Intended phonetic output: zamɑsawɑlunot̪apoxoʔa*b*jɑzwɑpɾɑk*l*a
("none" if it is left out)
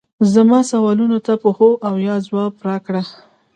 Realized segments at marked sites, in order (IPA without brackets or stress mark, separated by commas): w, ɽ